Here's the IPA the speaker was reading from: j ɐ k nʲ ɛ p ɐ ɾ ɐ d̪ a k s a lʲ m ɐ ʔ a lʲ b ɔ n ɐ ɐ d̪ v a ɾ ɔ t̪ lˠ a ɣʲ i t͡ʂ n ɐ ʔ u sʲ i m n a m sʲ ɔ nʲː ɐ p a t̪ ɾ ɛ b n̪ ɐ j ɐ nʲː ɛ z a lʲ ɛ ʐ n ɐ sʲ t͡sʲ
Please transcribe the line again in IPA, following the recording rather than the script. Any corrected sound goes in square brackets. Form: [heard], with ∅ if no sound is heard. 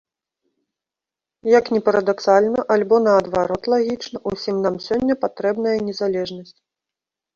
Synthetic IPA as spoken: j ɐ k nʲ ɛ p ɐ ɾ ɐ d̪ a k s a lʲ [n] ɐ ʔ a lʲ b ɔ n ɐ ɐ d̪ v a ɾ ɔ t̪ lˠ a ɣʲ i t͡ʂ n ɐ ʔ u sʲ i m n a m sʲ ɔ nʲː ɐ p a t̪ ɾ ɛ b n̪ ɐ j ɐ [nʲ] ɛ z a lʲ ɛ ʐ n ɐ sʲ t͡sʲ